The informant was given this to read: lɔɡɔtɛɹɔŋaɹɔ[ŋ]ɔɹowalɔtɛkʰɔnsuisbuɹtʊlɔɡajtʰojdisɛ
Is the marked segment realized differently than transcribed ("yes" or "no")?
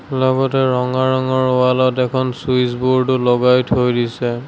no